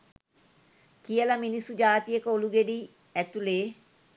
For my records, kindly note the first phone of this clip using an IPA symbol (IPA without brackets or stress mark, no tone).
k